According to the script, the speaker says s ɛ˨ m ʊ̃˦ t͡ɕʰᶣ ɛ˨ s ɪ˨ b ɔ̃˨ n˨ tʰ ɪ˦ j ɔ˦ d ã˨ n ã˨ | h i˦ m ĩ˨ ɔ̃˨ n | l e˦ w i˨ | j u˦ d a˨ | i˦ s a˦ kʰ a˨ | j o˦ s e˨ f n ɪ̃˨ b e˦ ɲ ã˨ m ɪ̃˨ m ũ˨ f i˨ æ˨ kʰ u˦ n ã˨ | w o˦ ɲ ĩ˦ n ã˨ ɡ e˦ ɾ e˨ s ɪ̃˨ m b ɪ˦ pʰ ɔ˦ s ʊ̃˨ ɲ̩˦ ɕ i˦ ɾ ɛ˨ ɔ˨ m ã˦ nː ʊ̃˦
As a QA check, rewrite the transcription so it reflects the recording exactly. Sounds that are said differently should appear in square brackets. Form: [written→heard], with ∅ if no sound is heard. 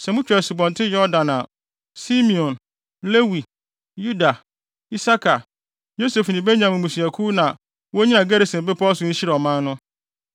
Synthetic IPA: s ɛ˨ m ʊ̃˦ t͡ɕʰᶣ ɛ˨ s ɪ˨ b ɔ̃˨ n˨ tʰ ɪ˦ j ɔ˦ d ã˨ n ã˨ | [h→s] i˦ m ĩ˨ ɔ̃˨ n | l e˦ w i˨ | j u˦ d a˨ | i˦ s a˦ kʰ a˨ | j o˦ s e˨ f n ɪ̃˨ b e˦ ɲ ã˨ m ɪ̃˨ m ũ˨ [f→s] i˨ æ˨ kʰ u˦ n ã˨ | w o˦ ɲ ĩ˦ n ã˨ ɡ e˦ ɾ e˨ s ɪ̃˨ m b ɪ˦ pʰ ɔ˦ s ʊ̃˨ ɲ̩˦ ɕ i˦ ɾ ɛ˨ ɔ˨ m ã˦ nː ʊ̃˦